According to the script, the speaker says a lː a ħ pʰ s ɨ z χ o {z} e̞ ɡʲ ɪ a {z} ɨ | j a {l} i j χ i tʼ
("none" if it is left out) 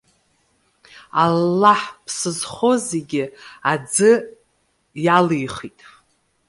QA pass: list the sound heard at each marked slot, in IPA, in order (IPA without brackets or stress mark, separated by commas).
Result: z, d͡z, l